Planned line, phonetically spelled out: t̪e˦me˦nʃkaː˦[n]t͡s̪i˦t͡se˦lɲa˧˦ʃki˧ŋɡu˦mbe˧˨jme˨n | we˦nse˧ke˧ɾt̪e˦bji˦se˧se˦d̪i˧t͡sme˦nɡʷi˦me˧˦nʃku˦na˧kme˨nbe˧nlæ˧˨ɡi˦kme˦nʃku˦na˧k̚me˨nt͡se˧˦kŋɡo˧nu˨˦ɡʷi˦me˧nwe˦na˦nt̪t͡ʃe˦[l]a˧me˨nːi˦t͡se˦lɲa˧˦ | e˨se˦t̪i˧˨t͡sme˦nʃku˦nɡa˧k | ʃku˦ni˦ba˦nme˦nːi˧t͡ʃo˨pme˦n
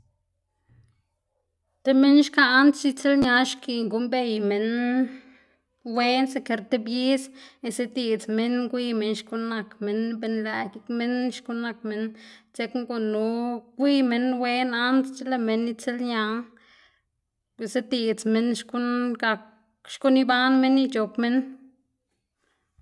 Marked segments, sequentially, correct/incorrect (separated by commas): correct, correct